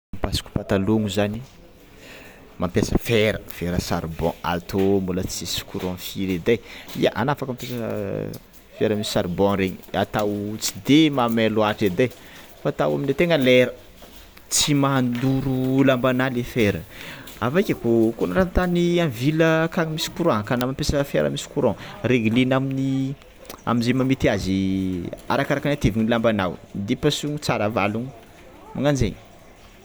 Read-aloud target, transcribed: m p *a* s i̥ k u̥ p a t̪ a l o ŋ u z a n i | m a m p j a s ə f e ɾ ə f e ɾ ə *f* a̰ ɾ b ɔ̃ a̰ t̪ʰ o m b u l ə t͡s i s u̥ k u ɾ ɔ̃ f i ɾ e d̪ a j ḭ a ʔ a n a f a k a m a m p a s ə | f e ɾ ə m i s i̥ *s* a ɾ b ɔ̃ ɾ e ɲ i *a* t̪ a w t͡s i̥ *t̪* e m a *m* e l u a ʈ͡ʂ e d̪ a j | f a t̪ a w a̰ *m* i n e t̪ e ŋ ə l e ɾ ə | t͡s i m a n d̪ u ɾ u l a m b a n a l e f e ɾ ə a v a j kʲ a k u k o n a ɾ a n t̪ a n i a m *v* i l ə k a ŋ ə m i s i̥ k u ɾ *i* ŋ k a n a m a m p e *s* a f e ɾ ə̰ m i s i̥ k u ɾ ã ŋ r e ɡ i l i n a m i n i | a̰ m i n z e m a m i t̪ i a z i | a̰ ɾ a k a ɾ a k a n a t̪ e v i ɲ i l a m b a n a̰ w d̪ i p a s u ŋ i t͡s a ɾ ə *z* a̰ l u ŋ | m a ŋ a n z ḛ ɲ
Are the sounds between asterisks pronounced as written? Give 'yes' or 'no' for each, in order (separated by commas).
yes, no, yes, yes, no, yes, yes, yes, no, yes, no